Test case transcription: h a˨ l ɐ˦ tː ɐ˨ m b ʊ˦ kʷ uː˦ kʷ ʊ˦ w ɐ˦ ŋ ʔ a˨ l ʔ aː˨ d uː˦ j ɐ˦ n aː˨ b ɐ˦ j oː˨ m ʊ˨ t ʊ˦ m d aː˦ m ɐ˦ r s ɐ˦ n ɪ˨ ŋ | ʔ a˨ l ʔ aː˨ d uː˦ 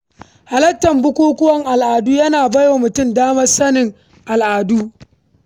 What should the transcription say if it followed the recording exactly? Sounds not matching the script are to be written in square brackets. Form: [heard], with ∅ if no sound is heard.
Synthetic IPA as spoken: h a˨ l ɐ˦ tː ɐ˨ m b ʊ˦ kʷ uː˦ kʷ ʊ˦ w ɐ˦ ŋ ʔ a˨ l ʔ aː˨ d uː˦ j ɐ˦ n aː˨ b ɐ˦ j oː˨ m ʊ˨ t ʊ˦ m d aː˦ m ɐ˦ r s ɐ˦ n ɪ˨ ŋ | ʔ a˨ l ʔ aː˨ d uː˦